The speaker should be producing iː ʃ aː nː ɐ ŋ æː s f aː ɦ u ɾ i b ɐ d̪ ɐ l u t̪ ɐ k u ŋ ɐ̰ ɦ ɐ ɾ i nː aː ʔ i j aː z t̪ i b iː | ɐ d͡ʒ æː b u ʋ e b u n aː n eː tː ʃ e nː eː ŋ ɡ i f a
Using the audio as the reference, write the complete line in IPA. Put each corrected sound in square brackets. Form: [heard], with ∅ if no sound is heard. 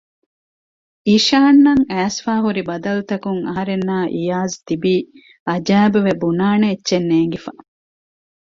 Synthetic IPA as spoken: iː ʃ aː nː ɐ ŋ æː s f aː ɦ u ɾ i b ɐ d̪ ɐ l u t̪ ɐ k u ŋ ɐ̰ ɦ ɐ ɾ [e] nː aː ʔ i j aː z t̪ i b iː | ɐ d͡ʒ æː b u ʋ e b u n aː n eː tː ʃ e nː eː ŋ ɡ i f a